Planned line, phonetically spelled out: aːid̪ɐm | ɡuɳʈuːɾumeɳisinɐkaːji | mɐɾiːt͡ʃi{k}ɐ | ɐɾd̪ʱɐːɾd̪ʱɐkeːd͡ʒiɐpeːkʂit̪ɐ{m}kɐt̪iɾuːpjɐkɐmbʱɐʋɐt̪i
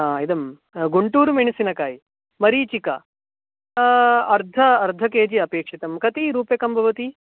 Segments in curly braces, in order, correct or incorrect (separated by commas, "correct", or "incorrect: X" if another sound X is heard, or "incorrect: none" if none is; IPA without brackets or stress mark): correct, correct